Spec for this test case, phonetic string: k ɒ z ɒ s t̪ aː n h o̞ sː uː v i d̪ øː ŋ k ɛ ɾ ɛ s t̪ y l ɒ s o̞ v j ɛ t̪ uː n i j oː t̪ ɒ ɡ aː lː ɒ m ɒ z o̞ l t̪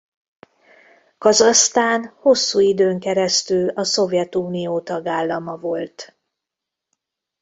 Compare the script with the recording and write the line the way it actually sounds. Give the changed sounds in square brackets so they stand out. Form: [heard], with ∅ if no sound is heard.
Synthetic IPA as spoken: k ɒ z ɒ s t̪ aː n h o̞ sː uː [∅] i d̪ øː ŋ k ɛ ɾ ɛ s t̪ y l ɒ s o̞ v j ɛ t̪ uː n i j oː t̪ ɒ ɡ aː lː ɒ m ɒ [v] o̞ l t̪